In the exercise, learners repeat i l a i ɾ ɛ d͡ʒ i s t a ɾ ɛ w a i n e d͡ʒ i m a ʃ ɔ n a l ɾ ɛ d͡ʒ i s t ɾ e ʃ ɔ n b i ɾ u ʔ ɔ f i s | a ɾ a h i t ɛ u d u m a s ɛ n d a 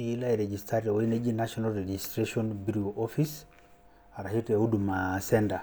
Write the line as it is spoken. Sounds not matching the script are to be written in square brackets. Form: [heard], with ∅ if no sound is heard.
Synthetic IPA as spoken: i l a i ɾ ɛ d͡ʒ i s t a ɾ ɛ w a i n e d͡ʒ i [n] a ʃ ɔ n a l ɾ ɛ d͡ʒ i s t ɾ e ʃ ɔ n b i ɾ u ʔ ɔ f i s | a ɾ a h i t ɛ u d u m a s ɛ n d a

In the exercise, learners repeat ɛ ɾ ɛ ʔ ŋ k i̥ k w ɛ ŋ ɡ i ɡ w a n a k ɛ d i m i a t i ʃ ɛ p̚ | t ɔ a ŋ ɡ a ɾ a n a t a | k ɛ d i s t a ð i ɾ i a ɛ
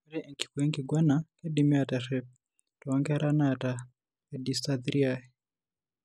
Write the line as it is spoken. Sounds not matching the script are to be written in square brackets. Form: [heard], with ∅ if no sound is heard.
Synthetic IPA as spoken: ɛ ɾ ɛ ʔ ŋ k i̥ k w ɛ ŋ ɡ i ɡ w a n a k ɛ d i m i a t [a] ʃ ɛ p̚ | t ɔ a ŋ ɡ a ɾ a n a t a | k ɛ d i s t a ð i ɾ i a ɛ

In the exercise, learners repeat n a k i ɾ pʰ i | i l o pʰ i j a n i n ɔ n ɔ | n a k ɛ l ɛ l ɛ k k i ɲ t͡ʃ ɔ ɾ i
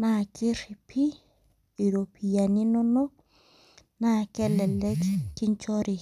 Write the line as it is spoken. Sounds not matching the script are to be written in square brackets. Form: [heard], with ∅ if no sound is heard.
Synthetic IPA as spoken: n a k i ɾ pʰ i | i [ɾ] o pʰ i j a n i n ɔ n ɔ | n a k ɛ l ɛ l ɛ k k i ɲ t͡ʃ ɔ ɾ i

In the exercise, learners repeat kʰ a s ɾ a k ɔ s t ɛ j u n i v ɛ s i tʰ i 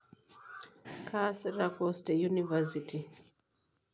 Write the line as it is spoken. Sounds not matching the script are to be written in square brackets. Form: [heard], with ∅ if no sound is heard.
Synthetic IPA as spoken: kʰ a s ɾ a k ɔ s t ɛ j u n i v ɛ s i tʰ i

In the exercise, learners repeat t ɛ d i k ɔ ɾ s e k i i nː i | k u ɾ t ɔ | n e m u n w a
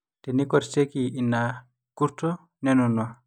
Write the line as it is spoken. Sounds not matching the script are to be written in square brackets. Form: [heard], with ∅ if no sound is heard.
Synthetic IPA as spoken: t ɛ [n] i k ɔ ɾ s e k i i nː [a] | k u ɾ t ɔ | n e [n] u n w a

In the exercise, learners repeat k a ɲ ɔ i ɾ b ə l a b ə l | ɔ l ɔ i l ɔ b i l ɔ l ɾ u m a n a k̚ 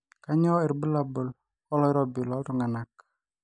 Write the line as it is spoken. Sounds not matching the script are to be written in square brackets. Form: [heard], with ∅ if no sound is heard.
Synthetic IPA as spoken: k a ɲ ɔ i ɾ b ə l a b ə l | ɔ l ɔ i [ɾ] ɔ b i l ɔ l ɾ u [ŋ] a n a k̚

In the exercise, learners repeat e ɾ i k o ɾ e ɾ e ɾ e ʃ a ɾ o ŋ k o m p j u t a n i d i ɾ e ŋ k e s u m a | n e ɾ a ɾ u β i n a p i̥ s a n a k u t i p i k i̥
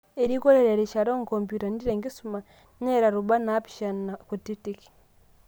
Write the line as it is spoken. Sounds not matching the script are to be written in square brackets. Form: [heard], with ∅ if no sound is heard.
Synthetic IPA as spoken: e ɾ i k o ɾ e ɾ e ɾ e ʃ a ɾ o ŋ k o m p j u t a n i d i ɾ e ŋ [ɡ] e s u m a | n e ɾ a ɾ u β [a] n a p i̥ [ʃ] a n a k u t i [t] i k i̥

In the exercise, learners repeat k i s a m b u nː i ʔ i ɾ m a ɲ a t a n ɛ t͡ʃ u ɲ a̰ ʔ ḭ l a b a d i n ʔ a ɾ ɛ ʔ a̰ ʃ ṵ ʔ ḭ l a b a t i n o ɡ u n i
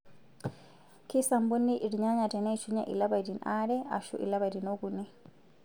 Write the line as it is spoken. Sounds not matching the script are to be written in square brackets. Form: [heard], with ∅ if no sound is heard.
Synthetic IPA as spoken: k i s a m b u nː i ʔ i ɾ [ɲ] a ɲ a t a n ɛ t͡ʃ u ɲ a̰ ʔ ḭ l a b a d i n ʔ a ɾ ɛ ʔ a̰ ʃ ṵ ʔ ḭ l a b a [d] i n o ɡ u n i

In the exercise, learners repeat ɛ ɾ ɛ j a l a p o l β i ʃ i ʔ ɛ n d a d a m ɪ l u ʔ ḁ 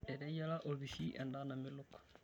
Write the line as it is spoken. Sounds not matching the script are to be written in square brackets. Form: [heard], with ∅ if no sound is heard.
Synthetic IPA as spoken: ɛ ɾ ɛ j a l a [ʔ] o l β i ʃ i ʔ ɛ n d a [n] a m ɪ l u [k] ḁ

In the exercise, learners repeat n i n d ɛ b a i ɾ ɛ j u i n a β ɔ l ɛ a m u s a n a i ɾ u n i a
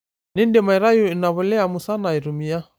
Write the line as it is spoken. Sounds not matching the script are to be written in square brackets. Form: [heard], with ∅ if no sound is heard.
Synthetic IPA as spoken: n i n d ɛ [m] a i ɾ [a] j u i n a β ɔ l ɛ a m u s a n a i ɾ u [m] i a

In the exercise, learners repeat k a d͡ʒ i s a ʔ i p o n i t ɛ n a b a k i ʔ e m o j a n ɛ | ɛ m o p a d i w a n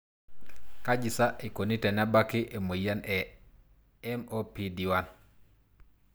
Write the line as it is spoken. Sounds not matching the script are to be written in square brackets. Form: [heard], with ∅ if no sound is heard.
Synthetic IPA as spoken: k a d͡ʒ i s a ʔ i [k] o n i t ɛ n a b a k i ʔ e m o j a n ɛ | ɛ m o p [i] d i w a n

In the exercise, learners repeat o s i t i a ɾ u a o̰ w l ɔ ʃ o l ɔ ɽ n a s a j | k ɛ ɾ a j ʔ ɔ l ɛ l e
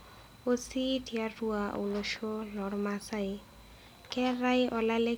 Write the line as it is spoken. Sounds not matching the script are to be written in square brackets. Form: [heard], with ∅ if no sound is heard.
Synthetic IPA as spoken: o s i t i a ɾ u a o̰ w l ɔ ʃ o l ɔ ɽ [m] a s a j | k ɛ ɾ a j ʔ ɔ l [a] l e

